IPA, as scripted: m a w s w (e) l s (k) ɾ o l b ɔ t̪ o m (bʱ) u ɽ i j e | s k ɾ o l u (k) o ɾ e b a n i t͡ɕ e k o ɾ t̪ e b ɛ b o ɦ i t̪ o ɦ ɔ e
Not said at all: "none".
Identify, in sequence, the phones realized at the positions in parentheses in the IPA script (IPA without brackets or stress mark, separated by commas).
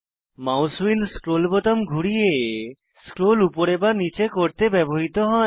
i, k, ɡʱ, p